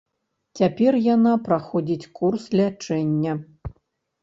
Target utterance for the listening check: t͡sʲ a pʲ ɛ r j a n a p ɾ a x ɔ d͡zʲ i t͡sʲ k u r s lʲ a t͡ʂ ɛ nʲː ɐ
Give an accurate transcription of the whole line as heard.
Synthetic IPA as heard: t͡sʲ a pʲ ɛ r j a n a p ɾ a x ɔ d͡zʲ i t͡sʲ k u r s lʲ a t͡ʂ ɛ nʲː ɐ